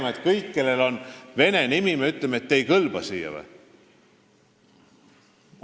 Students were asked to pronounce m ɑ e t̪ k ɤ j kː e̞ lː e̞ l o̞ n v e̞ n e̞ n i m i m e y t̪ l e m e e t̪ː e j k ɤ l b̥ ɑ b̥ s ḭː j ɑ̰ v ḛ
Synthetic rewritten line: m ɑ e t̪ k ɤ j kː e̞ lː e̞ l o̞ n v e̞ n e̞ n i m i m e y t̪ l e m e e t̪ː e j k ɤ l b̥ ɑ s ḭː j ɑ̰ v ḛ